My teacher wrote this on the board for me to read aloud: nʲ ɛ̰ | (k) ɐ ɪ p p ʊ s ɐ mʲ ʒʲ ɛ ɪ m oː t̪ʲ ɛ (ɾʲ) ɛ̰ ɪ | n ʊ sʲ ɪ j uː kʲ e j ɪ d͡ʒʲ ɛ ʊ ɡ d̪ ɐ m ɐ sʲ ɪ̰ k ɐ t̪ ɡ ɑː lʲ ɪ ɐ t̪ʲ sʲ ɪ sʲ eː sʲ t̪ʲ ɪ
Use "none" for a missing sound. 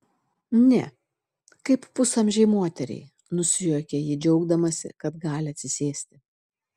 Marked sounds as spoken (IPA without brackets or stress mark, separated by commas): k, ɾʲ